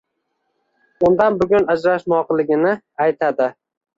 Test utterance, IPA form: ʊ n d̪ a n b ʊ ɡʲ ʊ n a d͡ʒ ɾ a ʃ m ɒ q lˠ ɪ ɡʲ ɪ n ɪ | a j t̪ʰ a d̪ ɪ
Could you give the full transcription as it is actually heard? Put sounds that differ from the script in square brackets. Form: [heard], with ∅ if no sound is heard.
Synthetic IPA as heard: ʊ n d̪ a n b ʊ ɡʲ ʊ n a d͡ʒ ɾ a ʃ m ɒ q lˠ ɪ ɡʲ ɪ n ɪ | a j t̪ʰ a d̪ ɪ